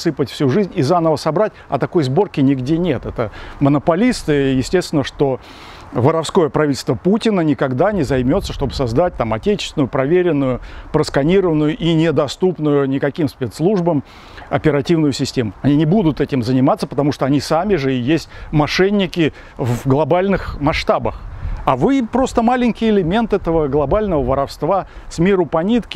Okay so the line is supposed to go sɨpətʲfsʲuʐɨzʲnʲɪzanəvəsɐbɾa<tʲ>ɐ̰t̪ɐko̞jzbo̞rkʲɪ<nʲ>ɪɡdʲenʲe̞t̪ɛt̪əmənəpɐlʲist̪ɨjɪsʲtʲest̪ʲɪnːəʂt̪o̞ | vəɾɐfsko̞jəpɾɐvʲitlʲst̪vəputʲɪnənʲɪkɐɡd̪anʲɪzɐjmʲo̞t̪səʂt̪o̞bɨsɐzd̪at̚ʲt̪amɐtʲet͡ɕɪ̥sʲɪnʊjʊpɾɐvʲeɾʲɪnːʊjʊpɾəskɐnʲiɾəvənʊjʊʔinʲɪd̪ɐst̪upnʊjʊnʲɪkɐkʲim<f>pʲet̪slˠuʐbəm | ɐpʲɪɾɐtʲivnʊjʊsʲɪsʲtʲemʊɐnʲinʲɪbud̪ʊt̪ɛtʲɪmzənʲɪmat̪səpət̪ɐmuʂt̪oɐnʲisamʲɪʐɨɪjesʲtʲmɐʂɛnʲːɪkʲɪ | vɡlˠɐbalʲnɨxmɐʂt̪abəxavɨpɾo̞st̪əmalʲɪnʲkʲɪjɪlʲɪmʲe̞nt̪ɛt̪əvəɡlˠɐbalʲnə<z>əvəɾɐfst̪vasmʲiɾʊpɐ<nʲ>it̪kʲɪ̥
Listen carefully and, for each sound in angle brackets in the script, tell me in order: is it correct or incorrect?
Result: correct, correct, incorrect, incorrect, correct

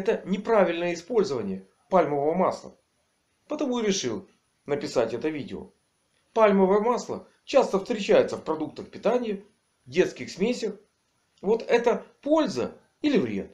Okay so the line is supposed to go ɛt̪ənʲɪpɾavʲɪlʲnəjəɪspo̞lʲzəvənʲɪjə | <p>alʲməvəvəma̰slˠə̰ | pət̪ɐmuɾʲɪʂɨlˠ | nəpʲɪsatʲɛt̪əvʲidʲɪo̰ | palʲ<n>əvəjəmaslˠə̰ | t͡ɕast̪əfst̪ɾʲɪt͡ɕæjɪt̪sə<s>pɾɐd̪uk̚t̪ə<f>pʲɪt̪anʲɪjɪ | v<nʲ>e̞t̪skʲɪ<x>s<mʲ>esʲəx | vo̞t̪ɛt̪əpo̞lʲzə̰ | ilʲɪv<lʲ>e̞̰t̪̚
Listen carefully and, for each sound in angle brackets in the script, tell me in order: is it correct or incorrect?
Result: correct, incorrect, incorrect, incorrect, incorrect, correct, correct, incorrect

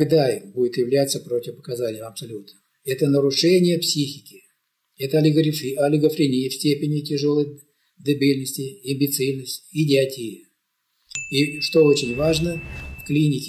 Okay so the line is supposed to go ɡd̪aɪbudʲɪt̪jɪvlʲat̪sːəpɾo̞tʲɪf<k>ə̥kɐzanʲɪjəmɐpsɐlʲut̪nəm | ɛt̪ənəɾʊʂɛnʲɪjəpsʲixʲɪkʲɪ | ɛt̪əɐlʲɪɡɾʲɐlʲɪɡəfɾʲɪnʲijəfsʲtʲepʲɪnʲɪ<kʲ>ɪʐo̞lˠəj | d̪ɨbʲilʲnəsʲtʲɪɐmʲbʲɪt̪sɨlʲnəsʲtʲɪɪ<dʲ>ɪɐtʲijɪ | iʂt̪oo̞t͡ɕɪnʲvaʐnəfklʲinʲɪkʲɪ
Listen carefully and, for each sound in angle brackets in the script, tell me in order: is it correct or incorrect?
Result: incorrect, incorrect, correct

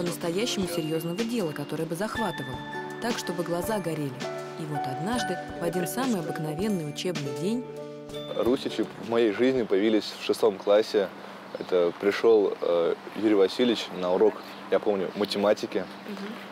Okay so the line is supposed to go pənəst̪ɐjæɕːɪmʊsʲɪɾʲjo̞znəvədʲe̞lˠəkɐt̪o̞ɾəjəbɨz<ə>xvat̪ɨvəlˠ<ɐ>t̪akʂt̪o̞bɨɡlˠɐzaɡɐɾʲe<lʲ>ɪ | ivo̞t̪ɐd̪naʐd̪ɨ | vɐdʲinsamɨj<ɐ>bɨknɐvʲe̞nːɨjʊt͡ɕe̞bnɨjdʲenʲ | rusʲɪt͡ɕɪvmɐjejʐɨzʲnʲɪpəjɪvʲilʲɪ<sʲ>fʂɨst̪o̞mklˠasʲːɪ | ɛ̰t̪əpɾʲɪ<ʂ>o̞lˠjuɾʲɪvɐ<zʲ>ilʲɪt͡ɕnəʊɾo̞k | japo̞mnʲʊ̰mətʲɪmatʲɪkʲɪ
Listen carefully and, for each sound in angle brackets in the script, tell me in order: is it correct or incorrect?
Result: incorrect, incorrect, correct, correct, correct, correct, incorrect

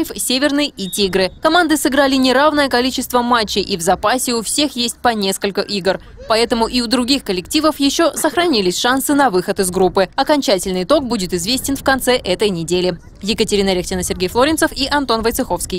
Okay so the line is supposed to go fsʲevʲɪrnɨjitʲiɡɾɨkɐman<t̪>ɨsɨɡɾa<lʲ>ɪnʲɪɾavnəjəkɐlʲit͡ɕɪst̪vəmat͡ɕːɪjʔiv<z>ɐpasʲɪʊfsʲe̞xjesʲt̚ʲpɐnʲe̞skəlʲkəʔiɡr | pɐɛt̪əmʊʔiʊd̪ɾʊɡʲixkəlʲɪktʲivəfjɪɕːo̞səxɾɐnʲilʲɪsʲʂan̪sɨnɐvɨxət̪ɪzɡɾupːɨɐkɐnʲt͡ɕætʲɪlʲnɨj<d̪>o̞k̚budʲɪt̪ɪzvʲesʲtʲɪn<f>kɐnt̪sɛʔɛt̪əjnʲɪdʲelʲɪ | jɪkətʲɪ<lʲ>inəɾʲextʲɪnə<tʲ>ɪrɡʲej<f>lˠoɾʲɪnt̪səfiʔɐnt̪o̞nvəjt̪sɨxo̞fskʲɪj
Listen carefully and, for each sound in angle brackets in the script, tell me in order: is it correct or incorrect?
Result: incorrect, correct, correct, incorrect, correct, incorrect, incorrect, correct

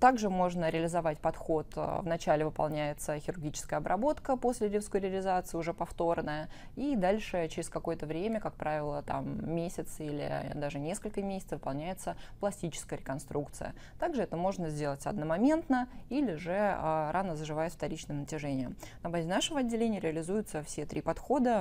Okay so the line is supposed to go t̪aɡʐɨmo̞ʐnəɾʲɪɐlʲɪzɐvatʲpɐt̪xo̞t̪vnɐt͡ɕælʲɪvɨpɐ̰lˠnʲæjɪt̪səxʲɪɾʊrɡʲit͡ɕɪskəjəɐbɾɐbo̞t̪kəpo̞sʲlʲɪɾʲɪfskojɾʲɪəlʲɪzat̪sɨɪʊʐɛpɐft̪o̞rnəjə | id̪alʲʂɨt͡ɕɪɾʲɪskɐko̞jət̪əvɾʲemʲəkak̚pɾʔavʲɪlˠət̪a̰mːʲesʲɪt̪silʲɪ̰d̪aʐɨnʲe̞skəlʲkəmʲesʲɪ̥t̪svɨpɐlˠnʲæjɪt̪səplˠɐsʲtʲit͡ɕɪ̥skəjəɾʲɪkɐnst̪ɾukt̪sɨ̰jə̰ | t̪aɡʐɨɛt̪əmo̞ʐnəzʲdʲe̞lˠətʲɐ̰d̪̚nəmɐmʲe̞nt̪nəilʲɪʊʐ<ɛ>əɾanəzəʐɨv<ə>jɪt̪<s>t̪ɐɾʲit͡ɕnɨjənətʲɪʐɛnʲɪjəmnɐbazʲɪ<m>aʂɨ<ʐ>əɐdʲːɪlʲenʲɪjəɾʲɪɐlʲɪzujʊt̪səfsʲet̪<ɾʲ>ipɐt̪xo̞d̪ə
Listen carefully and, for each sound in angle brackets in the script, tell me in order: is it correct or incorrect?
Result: correct, incorrect, incorrect, incorrect, incorrect, correct

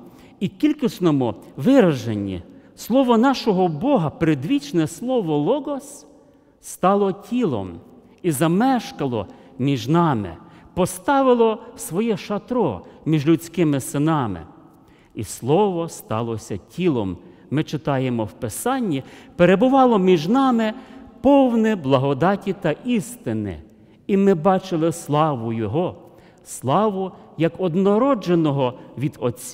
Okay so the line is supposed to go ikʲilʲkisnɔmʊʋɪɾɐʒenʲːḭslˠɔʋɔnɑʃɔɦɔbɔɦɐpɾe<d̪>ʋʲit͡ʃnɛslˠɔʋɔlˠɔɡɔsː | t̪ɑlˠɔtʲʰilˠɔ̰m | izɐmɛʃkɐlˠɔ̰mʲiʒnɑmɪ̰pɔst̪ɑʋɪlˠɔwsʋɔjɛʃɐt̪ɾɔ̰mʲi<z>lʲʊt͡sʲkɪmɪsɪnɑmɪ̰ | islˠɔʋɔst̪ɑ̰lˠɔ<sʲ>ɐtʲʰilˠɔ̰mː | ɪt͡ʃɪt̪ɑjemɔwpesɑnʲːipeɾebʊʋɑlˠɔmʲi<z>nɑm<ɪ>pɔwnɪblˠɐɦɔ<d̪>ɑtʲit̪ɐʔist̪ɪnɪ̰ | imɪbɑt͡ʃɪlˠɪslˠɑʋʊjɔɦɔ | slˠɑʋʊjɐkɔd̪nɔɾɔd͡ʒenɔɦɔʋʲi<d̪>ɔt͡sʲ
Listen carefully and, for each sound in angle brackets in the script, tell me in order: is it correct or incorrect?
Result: correct, incorrect, correct, incorrect, correct, correct, correct

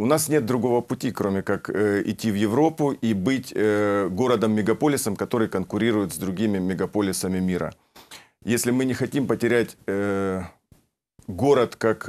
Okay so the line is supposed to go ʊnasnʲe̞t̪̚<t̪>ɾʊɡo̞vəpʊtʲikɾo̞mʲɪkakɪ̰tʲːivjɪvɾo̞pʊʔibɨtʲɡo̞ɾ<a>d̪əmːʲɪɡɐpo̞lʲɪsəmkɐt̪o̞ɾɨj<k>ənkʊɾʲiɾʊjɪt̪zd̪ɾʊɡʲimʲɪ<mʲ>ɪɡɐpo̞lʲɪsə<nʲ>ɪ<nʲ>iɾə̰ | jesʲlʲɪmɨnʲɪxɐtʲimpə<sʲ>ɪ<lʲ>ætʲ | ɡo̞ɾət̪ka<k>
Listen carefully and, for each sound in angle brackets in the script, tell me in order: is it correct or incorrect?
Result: incorrect, incorrect, correct, correct, incorrect, incorrect, incorrect, incorrect, correct

